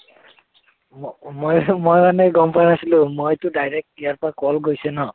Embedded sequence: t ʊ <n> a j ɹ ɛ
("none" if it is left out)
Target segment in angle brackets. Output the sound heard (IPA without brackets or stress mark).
d